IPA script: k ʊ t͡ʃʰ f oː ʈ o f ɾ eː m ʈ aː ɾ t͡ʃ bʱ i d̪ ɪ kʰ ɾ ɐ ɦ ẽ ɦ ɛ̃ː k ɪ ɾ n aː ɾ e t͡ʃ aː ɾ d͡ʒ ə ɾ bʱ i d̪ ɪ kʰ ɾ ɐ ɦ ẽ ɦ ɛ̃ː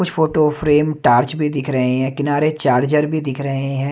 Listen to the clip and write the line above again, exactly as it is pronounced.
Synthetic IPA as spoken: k ʊ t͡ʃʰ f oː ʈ o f ɾ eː m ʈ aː ɾ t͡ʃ bʱ i d̪ ɪ kʰ ɾ ɐ ɦ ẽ ɦ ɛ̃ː k ɪ n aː ɾ e t͡ʃ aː ɾ d͡ʒ ə ɾ bʱ i d̪ ɪ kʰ ɾ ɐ ɦ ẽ ɦ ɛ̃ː